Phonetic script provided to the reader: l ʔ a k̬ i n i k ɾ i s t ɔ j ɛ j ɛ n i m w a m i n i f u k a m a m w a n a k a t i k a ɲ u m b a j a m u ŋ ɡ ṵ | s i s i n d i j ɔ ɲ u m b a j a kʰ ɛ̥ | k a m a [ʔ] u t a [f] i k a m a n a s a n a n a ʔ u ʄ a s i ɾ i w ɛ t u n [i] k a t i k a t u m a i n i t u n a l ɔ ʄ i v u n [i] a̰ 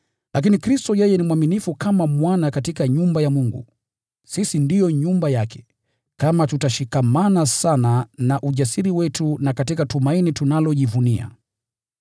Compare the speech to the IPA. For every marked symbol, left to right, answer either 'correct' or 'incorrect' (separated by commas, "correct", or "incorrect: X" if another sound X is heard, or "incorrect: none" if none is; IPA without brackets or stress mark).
incorrect: t, incorrect: ʃ, incorrect: a, correct